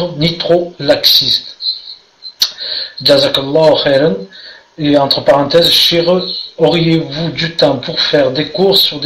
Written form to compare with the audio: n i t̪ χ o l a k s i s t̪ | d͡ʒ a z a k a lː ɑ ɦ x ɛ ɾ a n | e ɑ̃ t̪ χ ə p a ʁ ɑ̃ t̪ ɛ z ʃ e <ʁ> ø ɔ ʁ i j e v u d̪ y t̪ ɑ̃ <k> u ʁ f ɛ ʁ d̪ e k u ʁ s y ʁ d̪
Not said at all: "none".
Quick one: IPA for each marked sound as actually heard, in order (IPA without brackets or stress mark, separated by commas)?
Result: ʁ, p